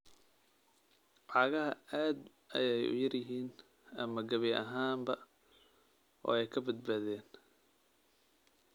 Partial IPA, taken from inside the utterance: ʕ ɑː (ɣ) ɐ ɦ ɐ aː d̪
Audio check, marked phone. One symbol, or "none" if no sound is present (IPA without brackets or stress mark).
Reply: ɣ